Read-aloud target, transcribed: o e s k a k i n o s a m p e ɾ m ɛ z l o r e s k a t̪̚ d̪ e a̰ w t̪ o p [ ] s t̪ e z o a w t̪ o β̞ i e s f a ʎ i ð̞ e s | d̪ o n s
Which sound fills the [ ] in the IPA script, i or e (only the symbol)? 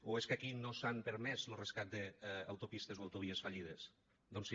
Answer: i